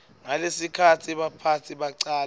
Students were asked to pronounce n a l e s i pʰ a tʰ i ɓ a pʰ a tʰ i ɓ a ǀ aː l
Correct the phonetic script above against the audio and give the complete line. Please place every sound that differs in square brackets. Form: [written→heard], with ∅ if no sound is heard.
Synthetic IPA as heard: [n→ŋ] a l e s i [pʰ→kʰ] a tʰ i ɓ a pʰ a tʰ i ɓ a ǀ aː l